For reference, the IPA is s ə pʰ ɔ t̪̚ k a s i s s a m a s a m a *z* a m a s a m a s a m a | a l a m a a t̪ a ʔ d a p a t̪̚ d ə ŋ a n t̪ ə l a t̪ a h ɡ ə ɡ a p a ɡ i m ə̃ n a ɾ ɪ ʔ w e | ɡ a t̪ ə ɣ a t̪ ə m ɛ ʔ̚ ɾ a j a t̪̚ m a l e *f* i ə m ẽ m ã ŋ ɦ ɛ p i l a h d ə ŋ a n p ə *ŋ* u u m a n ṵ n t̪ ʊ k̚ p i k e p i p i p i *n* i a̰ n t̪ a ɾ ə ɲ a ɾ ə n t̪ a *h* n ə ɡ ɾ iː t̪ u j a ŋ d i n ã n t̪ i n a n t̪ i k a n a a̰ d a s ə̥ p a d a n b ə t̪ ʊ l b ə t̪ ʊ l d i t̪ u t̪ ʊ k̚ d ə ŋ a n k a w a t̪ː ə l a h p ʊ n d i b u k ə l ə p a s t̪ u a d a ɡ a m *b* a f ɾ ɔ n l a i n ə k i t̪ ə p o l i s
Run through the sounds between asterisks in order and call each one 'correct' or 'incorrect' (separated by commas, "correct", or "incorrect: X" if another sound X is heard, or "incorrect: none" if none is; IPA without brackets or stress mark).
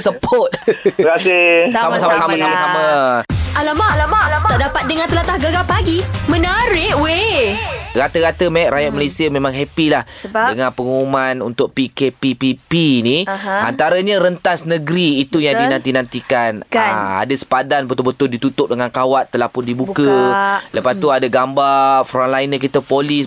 incorrect: s, incorrect: s, correct, correct, incorrect: s, correct